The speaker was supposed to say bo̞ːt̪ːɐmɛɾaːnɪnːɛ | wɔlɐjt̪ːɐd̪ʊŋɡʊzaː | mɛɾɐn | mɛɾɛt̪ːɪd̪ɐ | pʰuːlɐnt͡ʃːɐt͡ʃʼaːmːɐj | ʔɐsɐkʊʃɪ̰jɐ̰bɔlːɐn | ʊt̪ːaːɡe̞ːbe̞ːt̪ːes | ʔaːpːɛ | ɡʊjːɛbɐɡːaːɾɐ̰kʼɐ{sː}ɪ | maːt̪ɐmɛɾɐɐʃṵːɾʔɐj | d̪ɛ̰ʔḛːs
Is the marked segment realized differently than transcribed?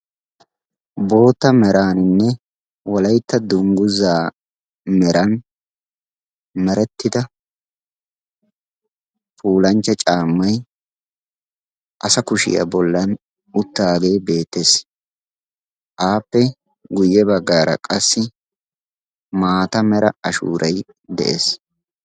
no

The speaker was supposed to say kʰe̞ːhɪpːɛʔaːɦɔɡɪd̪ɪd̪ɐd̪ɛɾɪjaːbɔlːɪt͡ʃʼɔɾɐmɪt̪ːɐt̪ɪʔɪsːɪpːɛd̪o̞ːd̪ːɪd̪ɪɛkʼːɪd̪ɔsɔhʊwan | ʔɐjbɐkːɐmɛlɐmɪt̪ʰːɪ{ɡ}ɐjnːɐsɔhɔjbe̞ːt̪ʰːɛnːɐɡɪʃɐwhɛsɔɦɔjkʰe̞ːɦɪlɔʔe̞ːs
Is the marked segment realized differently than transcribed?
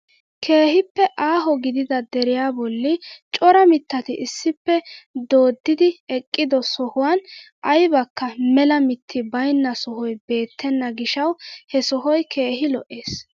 yes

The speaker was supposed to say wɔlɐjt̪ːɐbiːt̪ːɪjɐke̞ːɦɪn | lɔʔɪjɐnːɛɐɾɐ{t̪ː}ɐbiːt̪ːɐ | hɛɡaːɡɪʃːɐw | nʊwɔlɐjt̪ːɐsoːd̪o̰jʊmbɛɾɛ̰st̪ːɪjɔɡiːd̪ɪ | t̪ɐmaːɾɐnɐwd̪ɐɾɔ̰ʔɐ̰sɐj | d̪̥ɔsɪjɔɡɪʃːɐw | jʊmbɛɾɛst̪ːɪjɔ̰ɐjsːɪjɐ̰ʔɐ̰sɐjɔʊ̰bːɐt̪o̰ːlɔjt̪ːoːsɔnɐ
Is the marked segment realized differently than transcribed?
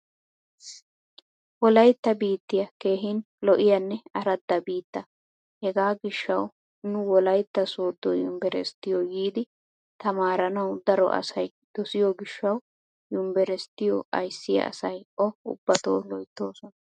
yes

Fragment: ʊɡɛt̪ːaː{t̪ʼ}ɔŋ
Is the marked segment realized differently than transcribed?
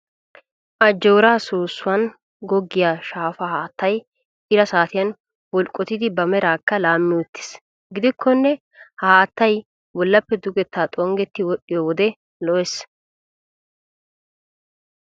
no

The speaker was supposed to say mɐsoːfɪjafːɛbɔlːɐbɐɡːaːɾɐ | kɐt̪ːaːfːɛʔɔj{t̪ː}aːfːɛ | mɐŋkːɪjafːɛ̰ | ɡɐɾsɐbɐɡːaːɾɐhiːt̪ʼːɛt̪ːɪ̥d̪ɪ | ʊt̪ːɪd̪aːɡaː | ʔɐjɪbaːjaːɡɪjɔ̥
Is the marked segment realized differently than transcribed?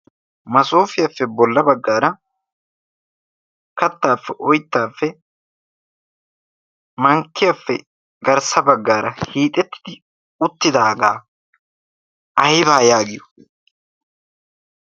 no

